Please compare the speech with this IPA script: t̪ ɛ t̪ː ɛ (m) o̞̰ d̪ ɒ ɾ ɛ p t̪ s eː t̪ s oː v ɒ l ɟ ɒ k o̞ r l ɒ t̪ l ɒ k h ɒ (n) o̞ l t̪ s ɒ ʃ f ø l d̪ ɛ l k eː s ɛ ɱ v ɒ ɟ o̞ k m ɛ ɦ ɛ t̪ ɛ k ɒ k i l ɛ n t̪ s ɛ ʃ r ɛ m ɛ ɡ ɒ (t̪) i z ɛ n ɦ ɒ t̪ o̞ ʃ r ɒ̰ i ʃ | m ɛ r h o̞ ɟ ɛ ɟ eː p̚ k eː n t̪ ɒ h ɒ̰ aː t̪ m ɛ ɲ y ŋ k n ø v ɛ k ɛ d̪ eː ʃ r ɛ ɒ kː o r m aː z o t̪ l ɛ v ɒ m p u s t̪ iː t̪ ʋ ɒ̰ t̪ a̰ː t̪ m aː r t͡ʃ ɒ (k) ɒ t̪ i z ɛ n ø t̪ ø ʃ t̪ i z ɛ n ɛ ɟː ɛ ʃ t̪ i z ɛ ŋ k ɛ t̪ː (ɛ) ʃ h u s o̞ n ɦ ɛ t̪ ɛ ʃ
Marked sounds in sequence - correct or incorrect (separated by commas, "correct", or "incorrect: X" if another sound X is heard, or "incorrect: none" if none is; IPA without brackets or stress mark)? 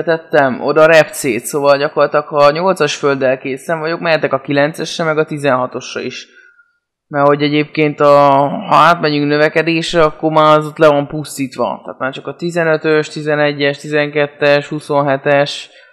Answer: correct, incorrect: ɲ, correct, correct, correct